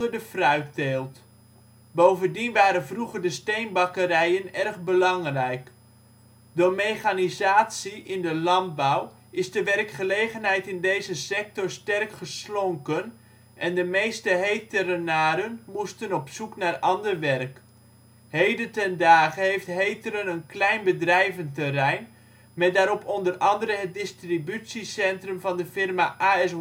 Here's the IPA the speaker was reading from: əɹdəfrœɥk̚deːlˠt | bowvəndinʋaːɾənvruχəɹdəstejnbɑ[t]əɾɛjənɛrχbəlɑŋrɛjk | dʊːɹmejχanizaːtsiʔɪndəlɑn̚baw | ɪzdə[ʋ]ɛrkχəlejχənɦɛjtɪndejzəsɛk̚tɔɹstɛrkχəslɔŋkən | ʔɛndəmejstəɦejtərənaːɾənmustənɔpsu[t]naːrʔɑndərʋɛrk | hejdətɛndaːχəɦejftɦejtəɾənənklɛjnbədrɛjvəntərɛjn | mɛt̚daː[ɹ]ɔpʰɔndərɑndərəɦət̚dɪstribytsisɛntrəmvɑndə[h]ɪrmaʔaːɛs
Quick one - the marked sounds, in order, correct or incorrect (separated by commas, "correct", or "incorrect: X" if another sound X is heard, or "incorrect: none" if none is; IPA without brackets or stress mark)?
incorrect: k, correct, incorrect: k, incorrect: ɾ, incorrect: f